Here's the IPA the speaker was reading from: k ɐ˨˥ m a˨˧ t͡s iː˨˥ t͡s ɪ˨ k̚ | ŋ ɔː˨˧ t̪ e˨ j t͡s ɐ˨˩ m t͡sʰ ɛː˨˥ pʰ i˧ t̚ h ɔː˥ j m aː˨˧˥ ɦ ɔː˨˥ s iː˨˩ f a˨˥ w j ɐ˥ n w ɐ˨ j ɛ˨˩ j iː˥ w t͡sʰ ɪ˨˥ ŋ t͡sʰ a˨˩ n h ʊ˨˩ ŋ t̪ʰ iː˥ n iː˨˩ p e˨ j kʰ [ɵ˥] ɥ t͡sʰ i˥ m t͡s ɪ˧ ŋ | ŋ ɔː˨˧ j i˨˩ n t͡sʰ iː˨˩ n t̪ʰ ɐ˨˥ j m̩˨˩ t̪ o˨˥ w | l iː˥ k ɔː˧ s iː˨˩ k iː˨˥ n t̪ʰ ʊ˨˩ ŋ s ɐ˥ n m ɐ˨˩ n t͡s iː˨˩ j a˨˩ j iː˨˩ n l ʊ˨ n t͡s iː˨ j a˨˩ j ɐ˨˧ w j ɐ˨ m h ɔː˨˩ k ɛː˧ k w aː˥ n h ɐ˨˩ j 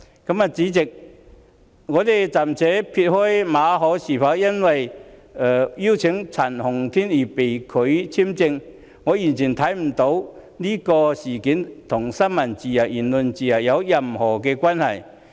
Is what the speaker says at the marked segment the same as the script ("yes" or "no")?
no